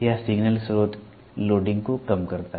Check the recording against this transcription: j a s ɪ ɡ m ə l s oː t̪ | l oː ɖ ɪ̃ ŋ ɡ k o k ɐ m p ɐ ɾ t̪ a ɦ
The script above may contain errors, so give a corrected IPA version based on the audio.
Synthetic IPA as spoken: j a s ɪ ɡ n ə l s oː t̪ | l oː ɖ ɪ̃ ŋ ɡ k o k ɐ m k ɐ ɾ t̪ a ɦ

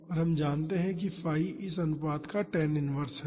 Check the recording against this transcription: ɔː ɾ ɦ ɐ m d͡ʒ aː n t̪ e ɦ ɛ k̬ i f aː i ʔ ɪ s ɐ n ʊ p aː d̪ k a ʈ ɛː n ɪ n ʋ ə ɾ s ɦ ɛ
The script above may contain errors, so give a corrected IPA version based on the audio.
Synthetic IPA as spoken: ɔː ɾ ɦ ɐ m d͡ʒ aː n t̪ e ɦ ɛ̃ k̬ i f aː i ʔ ɪ s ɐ n ʊ p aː d̪ k a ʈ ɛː n ɪ n ʋ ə ɾ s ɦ ɛ

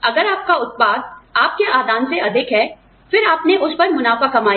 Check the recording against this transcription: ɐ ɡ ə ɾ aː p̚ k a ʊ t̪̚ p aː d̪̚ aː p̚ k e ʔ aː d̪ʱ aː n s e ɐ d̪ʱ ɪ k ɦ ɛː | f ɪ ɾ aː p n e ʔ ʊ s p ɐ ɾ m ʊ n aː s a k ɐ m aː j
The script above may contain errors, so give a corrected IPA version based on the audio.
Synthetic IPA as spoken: ɐ ɡ ə ɾ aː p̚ k a ʊ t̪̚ p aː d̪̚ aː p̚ k e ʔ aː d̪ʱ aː n s e ɐ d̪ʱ ɪ k ɦ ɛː | f ɪ ɾ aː p n e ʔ ʊ s p ɐ ɾ m ʊ n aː f a k ɐ m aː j

